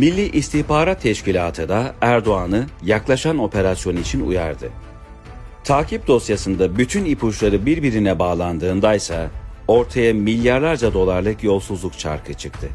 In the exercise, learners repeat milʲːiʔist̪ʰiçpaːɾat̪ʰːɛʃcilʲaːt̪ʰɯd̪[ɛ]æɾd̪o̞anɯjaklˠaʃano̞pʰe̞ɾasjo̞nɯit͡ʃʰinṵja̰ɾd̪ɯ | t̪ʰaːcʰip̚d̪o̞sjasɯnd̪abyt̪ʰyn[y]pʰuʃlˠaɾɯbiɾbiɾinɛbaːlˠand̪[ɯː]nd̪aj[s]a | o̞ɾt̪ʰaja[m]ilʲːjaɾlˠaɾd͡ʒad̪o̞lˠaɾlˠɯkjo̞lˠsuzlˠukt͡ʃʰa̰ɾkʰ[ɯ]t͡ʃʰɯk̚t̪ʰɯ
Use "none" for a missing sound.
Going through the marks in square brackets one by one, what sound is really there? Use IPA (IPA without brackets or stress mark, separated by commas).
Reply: a, i, ɯː, s, m, ɯ